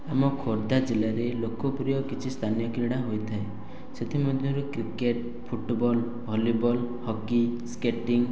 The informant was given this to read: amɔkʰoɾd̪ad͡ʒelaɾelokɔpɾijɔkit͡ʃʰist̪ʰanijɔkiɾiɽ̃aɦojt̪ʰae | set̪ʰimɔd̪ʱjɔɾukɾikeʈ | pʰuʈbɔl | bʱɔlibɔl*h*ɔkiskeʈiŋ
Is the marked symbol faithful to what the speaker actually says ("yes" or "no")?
yes